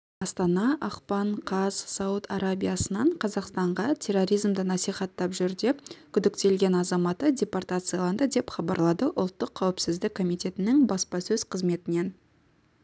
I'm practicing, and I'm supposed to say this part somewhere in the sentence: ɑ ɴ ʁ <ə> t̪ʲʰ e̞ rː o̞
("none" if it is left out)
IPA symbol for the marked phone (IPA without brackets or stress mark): ɑ